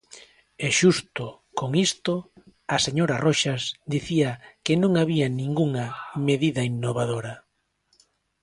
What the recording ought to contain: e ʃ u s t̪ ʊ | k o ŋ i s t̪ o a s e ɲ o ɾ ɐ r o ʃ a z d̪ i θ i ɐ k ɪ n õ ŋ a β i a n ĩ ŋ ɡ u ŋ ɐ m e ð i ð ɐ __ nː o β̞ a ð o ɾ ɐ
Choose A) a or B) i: B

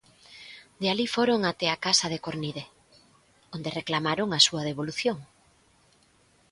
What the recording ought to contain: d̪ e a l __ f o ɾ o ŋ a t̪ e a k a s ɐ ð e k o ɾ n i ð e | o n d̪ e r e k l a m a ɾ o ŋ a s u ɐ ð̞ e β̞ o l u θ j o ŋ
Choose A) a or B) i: B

